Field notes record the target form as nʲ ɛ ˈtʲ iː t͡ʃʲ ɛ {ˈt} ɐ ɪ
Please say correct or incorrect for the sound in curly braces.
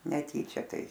correct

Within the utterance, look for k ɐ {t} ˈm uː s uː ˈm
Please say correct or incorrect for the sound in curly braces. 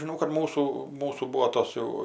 correct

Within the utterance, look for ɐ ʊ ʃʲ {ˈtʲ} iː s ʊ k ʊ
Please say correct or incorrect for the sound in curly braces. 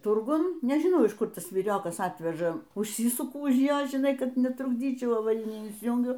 incorrect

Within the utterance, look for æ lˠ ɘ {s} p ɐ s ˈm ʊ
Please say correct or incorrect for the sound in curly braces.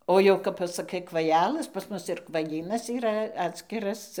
correct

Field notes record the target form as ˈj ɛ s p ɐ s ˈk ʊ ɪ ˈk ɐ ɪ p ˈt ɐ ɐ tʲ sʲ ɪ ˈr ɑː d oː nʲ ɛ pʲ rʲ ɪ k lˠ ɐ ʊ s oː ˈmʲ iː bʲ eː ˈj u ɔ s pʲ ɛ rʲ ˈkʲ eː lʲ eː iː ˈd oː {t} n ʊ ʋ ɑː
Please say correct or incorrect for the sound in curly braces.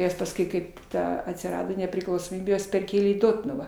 correct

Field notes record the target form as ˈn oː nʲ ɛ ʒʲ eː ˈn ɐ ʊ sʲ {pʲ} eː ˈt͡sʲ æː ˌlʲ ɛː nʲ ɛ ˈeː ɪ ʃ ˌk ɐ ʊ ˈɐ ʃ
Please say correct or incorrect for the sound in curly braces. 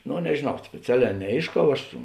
correct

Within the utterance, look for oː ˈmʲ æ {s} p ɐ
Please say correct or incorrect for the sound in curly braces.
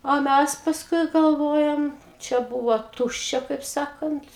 correct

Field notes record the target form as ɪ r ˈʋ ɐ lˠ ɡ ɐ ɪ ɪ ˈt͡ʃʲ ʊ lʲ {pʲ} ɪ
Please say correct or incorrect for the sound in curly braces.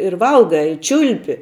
correct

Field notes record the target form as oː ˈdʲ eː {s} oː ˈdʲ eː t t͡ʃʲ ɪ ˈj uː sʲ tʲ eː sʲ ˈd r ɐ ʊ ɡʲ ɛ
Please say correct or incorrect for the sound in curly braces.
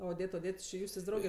incorrect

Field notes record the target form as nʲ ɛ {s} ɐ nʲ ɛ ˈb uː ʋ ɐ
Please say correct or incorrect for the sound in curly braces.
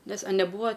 correct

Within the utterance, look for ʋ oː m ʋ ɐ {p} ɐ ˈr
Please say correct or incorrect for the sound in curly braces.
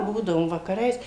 incorrect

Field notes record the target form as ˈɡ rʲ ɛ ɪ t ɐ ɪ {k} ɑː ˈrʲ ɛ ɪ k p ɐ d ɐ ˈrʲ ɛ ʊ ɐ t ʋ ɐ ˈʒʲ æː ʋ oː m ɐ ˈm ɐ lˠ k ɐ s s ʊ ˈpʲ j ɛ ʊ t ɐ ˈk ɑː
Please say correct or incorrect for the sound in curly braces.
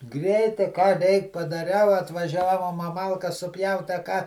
correct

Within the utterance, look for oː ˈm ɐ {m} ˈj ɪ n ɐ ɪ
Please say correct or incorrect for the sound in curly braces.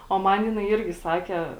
incorrect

